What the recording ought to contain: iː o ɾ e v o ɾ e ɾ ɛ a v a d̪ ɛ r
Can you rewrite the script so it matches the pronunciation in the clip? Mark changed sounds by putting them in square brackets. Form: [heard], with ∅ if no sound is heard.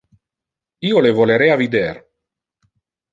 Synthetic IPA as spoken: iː o [l] e v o [l] e ɾ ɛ a v [i] d̪ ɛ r